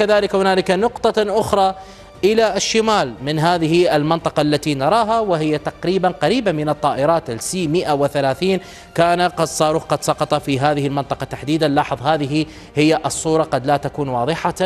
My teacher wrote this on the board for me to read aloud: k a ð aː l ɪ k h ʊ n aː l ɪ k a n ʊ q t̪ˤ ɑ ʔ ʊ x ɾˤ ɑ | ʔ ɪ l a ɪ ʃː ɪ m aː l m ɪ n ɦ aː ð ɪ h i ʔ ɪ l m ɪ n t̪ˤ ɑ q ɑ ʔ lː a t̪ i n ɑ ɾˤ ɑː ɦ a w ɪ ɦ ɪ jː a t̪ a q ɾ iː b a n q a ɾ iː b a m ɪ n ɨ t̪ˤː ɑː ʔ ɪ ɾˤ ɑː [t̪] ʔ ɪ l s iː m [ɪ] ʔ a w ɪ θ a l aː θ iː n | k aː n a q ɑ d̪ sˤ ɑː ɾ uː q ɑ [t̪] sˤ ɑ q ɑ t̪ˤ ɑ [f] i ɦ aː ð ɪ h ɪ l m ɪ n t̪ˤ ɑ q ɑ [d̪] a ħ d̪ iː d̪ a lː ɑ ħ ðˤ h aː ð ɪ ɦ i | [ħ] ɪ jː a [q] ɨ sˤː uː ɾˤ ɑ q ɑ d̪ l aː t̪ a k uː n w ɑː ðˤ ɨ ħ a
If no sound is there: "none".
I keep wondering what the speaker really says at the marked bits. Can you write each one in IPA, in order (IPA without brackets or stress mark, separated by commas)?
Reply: t̪, ɪ, d̪, f, t̪, h, ʔ